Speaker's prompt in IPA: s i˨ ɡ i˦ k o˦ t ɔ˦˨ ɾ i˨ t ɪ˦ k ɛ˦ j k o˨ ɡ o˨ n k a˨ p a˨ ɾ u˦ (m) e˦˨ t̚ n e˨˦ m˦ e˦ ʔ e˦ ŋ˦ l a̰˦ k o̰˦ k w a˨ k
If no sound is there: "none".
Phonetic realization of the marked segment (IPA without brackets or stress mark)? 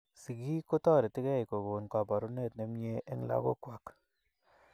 n